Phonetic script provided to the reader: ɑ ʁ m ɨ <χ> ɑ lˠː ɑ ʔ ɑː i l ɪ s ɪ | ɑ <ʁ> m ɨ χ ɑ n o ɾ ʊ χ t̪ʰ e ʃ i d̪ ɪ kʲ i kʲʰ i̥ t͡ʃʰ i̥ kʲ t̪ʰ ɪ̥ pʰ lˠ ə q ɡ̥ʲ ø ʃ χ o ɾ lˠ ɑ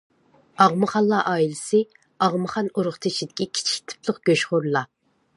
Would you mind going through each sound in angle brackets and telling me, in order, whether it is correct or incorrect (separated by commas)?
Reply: correct, correct